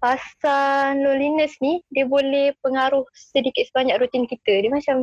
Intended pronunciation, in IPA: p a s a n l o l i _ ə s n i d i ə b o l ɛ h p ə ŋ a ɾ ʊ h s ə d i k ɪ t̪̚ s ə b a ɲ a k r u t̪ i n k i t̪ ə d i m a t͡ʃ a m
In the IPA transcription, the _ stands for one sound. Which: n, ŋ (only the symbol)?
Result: n